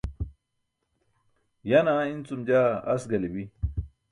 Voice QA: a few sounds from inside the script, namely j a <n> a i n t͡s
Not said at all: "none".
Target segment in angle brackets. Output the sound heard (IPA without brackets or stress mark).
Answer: n